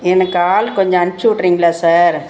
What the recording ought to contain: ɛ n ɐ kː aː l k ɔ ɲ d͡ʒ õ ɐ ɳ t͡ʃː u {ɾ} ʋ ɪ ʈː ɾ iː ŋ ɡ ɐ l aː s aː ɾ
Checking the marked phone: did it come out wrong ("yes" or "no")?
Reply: yes